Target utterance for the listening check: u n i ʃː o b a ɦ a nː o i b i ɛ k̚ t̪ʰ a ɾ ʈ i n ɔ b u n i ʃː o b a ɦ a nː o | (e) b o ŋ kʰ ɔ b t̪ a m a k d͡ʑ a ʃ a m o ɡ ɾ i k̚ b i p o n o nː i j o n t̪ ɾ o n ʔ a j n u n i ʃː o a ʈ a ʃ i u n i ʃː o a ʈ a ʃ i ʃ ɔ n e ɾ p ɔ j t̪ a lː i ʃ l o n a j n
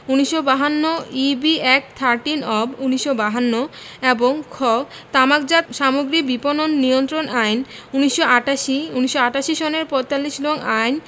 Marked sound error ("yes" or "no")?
no